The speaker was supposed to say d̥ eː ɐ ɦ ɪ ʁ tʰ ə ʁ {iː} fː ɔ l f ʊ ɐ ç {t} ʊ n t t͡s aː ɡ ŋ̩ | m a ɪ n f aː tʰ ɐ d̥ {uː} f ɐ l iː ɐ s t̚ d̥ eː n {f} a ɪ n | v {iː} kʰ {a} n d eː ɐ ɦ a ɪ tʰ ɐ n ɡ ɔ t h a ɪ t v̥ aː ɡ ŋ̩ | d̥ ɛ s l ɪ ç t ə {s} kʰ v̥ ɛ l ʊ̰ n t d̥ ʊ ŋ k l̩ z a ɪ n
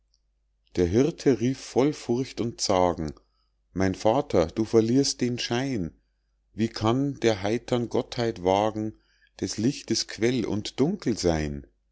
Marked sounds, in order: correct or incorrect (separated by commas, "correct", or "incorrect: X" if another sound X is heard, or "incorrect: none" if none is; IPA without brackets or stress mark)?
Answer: correct, correct, correct, incorrect: ʃ, correct, correct, correct